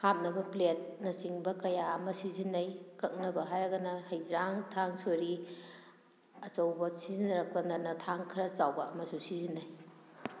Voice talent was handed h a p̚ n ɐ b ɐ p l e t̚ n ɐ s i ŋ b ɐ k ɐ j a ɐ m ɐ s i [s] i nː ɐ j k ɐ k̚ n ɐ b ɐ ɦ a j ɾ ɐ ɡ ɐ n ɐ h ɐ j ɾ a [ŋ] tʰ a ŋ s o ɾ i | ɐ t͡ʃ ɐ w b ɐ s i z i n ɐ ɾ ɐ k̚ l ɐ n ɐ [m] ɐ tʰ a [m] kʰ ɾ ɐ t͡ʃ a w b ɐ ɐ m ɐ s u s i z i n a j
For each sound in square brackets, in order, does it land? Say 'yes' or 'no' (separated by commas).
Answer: no, yes, no, no